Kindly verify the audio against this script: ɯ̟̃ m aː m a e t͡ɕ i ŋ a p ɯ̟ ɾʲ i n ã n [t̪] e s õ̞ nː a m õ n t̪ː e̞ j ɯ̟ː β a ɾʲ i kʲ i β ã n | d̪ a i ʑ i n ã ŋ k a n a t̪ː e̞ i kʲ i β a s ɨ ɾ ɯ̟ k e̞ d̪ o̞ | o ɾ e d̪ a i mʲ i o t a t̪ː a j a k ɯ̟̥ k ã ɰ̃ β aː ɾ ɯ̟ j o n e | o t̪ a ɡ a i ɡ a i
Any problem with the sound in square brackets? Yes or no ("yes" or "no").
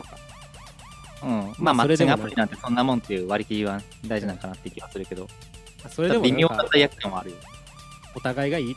no